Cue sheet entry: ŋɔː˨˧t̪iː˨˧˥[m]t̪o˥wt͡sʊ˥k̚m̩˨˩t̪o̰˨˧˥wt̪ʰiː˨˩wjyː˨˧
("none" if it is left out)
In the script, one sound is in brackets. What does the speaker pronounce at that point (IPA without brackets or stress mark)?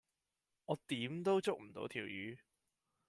m